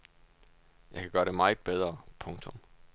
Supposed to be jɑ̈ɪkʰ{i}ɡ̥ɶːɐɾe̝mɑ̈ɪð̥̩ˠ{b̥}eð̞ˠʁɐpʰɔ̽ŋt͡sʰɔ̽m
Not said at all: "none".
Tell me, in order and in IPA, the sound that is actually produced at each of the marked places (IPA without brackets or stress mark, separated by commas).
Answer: æ, b̥